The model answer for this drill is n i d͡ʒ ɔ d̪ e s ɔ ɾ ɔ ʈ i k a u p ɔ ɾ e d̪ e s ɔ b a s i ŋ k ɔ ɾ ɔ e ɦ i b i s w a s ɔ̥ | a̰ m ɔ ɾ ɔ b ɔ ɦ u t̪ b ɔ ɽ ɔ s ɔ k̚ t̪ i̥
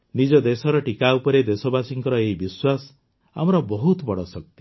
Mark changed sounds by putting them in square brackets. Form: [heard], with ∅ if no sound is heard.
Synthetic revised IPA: n i d͡ʒ ɔ d̪ e s ɔ ɾ ɔ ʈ i k a u p ɔ ɾ e d̪ e s ɔ b a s i ŋ k ɔ ɾ ɔ e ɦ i b i s w a s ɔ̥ | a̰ m ɔ ɾ ɔ b ɔ ɦ u t̪ b ɔ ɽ ɔ s ɔ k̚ t̪ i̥